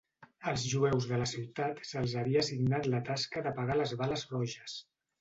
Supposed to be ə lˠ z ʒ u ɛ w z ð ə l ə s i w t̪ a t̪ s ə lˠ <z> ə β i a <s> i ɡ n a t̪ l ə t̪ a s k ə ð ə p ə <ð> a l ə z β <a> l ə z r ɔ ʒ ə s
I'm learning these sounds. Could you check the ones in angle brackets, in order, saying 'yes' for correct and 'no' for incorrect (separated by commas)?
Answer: yes, yes, no, yes